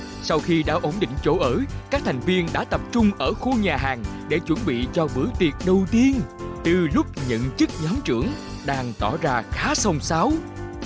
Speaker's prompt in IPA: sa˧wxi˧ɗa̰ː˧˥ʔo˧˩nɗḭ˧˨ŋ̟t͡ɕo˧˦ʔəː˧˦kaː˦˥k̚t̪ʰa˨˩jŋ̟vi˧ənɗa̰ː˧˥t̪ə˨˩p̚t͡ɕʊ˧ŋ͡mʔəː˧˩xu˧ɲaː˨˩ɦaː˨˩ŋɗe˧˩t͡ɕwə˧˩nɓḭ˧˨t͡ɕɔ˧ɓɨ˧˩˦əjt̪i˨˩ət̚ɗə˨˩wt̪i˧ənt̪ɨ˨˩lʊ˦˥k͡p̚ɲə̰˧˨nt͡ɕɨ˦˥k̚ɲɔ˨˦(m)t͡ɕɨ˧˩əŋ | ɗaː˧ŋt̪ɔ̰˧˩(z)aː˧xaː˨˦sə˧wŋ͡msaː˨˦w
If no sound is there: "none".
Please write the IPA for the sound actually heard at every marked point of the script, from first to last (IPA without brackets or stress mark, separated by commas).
m, z